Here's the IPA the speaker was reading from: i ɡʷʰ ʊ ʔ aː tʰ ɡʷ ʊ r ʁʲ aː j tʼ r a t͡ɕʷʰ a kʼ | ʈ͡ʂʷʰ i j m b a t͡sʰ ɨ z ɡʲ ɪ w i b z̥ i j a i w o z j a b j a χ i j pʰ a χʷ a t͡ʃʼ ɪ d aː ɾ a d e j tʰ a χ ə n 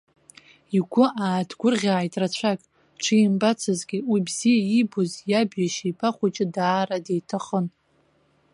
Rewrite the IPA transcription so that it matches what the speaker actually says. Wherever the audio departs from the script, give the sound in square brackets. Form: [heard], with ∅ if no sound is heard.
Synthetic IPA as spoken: i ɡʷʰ ʊ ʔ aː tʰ ɡʷ ʊ r ʁʲ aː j tʼ r a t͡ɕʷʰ a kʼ | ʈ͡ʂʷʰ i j m b a t͡sʰ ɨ z ɡʲ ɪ w i b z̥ i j a i [b] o z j a b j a [ʃ] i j pʰ a χʷ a t͡ʃʼ ɪ d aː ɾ a d e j tʰ a χ ə n